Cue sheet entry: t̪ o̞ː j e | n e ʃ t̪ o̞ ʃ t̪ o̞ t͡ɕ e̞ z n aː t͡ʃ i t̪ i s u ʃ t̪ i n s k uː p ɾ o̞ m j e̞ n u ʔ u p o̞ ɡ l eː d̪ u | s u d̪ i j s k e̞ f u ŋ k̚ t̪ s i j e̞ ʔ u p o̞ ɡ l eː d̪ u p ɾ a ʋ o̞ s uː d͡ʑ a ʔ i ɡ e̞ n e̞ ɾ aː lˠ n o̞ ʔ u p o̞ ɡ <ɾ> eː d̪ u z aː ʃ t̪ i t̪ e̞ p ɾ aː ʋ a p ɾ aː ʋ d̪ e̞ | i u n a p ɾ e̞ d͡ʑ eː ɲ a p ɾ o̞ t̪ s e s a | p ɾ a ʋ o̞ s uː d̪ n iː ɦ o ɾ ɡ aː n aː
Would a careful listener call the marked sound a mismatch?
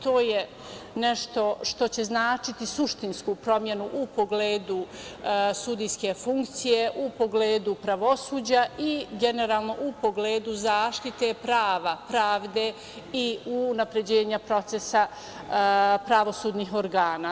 yes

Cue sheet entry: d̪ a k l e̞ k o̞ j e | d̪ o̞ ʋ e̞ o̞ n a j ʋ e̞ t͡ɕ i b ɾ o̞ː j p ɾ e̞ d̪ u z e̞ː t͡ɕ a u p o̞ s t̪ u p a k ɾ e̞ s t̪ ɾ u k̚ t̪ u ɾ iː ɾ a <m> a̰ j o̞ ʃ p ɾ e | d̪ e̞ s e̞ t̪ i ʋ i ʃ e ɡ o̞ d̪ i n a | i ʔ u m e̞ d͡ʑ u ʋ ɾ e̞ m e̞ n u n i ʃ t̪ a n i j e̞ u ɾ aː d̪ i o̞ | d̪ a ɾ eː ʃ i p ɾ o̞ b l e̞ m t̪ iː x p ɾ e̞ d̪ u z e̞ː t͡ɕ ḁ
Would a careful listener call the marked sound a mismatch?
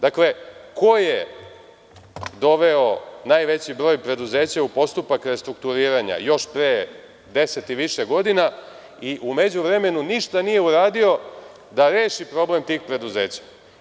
yes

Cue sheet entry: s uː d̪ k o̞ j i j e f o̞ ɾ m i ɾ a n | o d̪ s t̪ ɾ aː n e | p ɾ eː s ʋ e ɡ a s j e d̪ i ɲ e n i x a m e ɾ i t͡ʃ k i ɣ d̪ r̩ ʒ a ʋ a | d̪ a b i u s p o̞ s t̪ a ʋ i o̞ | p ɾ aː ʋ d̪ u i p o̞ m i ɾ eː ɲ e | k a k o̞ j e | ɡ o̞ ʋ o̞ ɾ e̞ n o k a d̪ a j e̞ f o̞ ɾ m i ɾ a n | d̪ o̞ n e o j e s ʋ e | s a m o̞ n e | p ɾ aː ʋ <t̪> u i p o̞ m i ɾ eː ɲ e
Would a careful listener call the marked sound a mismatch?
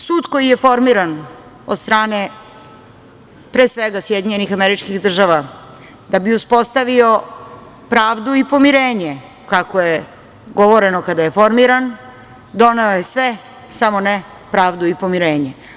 yes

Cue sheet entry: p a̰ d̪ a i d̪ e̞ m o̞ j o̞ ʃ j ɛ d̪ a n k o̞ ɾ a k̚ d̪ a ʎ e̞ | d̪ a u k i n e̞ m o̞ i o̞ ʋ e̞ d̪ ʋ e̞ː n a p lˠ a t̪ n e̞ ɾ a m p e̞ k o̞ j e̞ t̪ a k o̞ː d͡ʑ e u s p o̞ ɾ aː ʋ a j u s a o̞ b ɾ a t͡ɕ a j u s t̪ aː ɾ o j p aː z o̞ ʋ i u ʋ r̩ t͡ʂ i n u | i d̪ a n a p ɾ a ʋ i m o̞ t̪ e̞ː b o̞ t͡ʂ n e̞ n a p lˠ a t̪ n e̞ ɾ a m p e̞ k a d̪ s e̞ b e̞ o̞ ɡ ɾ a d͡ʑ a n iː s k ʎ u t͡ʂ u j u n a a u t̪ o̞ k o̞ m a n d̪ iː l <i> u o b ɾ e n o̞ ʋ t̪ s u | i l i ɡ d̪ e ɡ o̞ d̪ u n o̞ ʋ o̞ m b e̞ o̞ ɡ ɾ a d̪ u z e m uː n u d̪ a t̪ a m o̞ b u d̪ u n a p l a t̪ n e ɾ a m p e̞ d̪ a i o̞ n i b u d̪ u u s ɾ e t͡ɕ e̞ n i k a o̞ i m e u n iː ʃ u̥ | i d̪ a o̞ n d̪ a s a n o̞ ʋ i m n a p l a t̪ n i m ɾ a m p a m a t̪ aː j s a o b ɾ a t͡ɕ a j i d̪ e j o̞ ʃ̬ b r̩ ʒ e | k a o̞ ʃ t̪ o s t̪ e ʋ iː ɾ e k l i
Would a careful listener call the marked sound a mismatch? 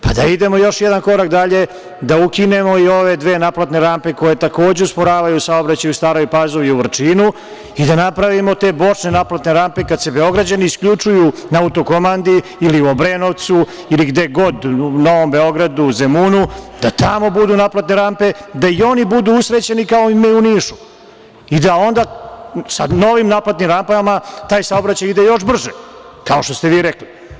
no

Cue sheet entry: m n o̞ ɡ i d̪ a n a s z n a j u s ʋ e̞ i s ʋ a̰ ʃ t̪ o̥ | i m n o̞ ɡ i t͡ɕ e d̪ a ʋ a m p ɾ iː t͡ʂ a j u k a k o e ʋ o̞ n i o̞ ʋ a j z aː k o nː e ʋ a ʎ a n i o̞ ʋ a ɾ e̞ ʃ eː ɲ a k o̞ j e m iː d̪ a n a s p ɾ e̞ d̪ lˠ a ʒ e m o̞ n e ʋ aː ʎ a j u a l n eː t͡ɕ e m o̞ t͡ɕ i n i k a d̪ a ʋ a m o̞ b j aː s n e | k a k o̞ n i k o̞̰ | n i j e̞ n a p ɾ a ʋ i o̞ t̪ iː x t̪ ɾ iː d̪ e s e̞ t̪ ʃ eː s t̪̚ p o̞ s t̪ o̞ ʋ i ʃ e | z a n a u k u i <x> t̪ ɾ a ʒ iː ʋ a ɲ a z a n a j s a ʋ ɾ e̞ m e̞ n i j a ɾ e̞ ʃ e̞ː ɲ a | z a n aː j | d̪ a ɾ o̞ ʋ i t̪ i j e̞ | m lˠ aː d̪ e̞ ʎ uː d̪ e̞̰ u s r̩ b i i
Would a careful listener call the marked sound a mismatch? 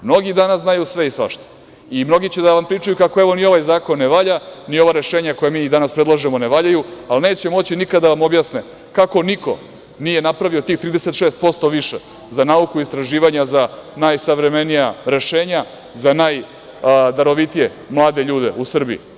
yes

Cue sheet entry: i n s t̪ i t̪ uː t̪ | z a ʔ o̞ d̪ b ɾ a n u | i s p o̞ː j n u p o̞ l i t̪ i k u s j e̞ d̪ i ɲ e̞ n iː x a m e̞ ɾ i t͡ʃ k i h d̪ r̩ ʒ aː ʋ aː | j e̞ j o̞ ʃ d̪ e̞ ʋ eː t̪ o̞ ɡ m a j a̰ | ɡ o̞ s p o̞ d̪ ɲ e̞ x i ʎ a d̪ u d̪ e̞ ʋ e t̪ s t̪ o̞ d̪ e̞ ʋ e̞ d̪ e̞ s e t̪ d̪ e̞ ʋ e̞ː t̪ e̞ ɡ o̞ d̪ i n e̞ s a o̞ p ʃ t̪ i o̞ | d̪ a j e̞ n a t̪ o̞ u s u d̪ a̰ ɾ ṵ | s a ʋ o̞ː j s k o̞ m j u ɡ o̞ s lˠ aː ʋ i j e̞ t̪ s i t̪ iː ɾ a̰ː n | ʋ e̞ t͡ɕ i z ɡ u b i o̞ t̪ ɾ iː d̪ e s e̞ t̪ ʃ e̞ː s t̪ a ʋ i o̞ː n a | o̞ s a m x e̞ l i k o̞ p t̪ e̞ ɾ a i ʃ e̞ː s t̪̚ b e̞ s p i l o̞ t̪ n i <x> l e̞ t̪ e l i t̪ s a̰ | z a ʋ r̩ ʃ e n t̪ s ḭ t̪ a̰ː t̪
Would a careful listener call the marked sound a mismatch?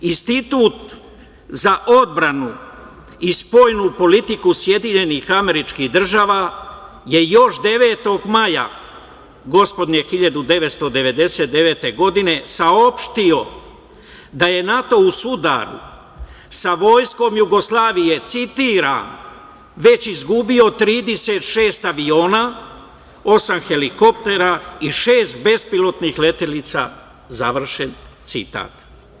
no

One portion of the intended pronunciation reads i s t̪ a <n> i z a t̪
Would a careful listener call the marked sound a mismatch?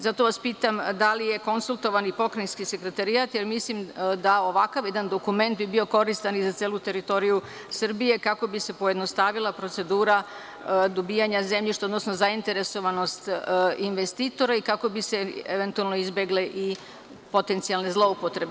no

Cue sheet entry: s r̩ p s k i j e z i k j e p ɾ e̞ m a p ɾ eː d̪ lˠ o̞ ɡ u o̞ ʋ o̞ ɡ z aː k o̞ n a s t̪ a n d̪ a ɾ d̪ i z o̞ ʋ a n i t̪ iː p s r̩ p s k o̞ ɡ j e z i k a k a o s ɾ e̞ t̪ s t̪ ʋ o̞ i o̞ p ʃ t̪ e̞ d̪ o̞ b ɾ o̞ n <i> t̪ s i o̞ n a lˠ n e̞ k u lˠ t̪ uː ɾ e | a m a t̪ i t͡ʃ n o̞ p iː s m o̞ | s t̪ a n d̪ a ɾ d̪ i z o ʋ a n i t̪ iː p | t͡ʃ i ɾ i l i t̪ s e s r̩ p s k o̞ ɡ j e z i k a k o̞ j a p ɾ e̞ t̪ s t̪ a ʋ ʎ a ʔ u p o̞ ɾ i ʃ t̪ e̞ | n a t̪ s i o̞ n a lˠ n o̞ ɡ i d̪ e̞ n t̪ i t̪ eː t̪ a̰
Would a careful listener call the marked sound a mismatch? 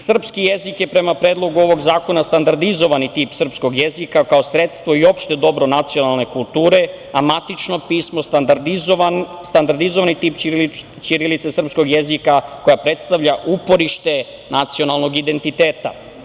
yes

